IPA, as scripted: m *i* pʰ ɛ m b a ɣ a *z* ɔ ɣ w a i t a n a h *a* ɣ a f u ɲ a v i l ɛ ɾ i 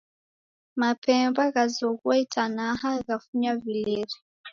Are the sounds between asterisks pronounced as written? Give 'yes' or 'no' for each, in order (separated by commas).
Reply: no, yes, yes